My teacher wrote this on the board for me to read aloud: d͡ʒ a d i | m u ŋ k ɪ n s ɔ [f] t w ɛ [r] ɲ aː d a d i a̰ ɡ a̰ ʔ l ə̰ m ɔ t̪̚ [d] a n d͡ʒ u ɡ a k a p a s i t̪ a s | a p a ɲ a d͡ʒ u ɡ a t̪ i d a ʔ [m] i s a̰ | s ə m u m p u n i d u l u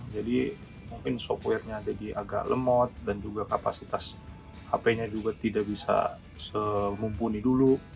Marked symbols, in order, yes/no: yes, yes, yes, no

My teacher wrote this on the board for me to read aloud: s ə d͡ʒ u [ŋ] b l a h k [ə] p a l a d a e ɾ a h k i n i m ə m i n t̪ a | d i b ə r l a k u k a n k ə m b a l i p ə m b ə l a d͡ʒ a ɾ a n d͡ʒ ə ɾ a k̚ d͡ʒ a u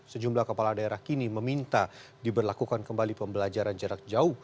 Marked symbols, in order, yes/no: no, yes

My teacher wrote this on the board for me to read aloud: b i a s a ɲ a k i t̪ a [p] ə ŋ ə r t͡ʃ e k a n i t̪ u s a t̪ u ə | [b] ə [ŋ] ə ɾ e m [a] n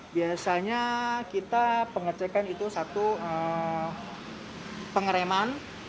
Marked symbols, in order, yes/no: yes, no, yes, yes

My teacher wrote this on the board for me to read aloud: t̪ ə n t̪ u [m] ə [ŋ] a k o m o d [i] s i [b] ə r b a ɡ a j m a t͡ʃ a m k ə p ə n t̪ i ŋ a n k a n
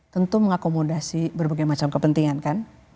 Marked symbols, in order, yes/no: yes, yes, no, yes

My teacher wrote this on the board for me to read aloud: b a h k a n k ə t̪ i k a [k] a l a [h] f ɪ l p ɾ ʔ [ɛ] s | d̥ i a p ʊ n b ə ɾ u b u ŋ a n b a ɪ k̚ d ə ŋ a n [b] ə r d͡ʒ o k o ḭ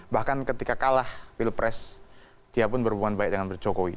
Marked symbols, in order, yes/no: yes, yes, yes, yes

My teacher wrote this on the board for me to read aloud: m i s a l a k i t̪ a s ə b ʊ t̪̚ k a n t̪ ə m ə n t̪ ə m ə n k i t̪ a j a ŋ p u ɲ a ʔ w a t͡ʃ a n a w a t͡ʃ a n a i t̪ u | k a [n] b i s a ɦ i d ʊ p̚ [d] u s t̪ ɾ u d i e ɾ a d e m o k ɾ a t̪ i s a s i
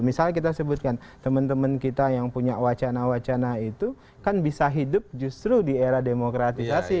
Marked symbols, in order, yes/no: yes, no

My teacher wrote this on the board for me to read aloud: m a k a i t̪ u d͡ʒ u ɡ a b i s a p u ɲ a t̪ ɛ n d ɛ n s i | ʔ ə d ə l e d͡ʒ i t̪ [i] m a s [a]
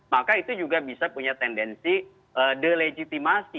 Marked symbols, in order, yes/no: yes, no

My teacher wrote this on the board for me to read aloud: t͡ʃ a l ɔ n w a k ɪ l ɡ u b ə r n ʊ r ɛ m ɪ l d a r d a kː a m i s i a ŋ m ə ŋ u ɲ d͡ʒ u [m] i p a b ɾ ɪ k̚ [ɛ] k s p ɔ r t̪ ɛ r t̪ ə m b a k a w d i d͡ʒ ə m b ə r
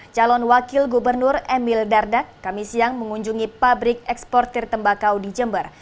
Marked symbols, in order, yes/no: no, yes

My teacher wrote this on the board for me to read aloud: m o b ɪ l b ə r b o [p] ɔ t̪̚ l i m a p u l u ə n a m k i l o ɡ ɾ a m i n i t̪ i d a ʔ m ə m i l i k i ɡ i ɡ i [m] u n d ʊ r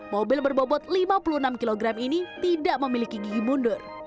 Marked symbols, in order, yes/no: no, yes

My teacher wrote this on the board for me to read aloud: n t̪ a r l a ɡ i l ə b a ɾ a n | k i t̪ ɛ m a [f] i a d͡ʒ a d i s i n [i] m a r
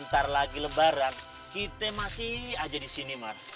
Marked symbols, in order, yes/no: no, yes

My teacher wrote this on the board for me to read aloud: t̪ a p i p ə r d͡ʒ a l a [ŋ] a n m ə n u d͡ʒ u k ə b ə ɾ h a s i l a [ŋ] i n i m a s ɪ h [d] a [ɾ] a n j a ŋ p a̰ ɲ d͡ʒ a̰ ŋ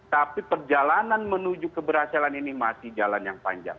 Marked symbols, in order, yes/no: no, no, no, no

